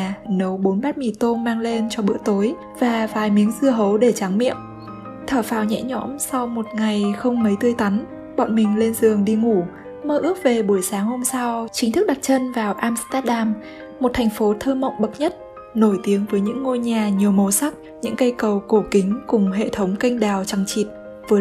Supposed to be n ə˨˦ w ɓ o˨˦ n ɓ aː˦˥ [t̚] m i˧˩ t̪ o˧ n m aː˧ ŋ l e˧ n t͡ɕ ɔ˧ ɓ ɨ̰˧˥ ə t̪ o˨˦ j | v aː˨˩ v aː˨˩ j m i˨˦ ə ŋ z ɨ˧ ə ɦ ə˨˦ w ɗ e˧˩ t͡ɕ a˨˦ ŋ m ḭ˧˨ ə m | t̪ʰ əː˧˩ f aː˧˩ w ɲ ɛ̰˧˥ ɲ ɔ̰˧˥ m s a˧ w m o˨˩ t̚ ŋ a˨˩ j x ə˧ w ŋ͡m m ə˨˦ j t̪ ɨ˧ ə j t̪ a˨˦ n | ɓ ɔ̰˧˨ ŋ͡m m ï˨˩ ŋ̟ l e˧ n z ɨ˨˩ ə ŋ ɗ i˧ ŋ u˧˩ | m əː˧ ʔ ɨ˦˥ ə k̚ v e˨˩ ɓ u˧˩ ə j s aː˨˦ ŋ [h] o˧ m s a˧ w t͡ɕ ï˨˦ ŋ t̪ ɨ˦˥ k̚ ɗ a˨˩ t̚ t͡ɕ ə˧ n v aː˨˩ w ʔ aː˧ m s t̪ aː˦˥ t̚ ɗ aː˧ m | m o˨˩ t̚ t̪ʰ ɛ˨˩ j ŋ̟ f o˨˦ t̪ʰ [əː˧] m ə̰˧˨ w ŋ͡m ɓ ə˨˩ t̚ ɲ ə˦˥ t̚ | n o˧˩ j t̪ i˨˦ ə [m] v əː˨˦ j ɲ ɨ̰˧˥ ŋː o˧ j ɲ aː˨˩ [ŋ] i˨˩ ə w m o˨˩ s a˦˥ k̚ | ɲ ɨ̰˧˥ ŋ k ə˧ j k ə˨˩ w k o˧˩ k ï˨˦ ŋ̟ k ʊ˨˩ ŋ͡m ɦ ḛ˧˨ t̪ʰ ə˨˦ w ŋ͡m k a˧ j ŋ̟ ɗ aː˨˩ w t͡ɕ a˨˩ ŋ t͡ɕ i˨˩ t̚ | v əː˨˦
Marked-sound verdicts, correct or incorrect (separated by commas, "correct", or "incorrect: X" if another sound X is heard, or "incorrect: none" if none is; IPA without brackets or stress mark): correct, correct, correct, incorrect: ŋ, incorrect: ɲ